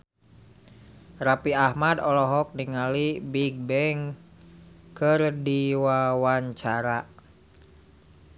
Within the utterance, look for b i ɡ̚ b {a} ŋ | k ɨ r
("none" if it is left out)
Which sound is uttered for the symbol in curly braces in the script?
ɛ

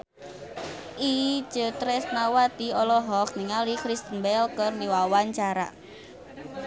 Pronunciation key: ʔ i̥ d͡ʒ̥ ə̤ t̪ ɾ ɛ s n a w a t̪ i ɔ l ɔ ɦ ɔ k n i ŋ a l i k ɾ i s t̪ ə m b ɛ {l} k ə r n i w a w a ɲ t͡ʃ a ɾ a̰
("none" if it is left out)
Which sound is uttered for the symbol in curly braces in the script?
l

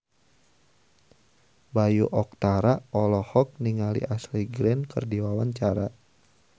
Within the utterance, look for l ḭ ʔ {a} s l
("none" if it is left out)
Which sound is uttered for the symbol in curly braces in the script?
a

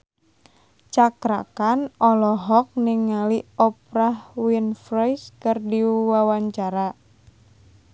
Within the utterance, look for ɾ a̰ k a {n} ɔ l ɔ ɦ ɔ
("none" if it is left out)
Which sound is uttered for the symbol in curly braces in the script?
n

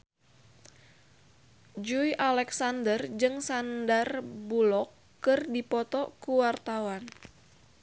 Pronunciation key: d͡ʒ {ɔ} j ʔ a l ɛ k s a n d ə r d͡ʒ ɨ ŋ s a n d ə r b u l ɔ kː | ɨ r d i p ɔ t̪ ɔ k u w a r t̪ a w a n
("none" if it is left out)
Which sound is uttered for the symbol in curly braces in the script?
u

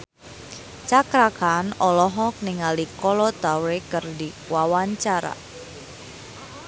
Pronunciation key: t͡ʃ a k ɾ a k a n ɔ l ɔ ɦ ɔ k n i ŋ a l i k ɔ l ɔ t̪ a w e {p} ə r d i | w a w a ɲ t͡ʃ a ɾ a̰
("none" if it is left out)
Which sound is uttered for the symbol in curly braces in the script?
k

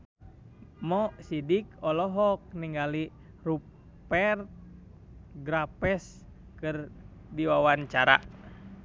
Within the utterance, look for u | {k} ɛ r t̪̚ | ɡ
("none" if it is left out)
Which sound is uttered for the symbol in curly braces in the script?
p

